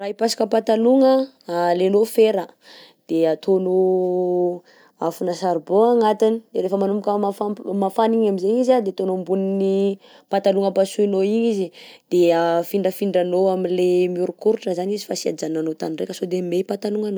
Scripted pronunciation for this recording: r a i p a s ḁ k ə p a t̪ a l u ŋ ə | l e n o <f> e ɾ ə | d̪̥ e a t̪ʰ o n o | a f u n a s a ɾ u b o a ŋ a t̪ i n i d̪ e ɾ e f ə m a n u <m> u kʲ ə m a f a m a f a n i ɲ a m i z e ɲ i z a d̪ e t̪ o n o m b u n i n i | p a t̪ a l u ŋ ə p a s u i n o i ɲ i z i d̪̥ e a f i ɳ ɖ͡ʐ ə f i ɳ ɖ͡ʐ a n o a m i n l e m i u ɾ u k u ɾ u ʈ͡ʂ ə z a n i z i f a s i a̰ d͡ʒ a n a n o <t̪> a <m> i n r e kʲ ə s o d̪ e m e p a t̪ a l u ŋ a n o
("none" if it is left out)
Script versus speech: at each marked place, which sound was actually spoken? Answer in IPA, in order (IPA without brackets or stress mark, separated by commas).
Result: f, m, t̪, n